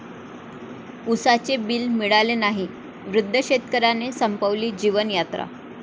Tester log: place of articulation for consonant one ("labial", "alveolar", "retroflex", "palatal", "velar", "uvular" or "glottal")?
alveolar